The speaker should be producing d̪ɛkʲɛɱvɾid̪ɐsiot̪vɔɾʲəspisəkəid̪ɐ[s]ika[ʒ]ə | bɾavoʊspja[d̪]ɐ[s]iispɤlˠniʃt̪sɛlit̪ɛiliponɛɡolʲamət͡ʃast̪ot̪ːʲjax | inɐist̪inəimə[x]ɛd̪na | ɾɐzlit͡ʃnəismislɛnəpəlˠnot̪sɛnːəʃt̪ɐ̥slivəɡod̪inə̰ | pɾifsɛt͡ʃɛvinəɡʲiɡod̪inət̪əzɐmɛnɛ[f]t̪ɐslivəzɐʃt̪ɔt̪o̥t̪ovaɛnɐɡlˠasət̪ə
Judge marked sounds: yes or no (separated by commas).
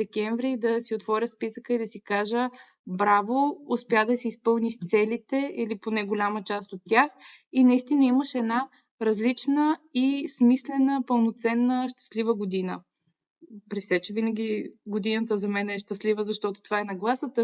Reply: yes, yes, yes, yes, no, no